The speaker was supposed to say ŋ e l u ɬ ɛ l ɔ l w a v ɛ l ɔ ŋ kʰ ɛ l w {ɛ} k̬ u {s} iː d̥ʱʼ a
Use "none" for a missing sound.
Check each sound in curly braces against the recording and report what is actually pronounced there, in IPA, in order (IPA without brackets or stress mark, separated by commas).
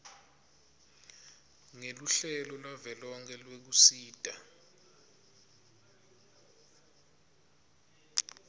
e, s